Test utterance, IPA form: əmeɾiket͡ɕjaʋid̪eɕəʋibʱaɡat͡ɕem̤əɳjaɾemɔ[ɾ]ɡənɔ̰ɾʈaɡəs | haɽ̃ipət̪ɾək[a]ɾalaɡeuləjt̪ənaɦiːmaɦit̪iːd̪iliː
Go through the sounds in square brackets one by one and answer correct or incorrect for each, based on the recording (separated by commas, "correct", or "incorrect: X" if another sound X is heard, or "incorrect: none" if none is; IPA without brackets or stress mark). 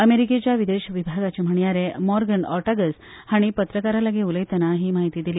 correct, correct